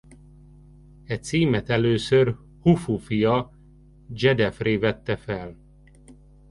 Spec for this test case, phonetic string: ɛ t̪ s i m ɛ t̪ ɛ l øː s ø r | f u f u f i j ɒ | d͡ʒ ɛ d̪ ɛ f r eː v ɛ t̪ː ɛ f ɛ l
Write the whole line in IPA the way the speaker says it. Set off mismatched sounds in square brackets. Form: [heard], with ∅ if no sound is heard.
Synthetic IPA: ɛ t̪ s [iː] m ɛ t̪ ɛ l øː s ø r | [h] u f u f i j ɒ | d͡ʒ ɛ d̪ ɛ f r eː v ɛ t̪ː ɛ f ɛ l